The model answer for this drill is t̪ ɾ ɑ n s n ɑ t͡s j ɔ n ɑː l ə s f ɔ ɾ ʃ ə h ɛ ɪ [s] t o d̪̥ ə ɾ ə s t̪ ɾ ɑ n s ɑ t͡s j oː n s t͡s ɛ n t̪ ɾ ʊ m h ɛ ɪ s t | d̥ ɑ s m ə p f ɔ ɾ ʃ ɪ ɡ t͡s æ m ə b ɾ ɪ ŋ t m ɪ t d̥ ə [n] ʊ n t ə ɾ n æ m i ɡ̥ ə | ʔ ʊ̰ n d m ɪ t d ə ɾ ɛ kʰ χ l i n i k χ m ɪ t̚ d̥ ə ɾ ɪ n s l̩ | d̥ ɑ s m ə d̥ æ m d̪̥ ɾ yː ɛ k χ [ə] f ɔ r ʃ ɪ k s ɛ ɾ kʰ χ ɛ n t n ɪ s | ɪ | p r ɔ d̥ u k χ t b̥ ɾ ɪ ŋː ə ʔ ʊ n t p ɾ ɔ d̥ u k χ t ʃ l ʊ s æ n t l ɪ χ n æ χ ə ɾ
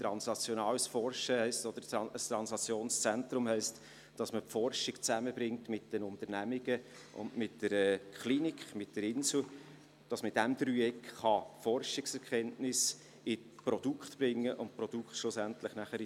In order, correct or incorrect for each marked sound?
correct, correct, incorrect

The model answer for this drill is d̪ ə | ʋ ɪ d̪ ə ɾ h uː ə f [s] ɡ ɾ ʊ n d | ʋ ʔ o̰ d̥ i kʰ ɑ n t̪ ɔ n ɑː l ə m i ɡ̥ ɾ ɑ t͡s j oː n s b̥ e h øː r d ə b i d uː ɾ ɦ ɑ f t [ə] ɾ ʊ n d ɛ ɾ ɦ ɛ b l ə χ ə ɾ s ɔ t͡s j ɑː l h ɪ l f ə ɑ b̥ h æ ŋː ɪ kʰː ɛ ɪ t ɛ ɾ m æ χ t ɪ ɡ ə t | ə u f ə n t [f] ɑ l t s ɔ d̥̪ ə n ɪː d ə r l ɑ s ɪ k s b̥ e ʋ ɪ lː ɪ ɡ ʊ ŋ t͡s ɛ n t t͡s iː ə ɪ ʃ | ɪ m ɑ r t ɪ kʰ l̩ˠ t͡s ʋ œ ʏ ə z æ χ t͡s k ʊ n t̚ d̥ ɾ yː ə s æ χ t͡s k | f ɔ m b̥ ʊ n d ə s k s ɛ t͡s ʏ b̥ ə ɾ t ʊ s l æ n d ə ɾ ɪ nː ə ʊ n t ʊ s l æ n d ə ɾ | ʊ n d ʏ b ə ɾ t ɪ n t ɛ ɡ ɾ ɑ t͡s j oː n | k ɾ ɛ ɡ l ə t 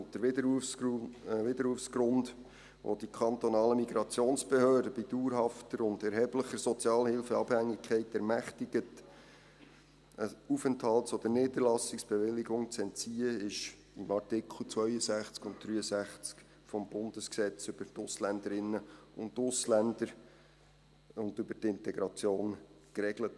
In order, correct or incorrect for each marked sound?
correct, correct, incorrect

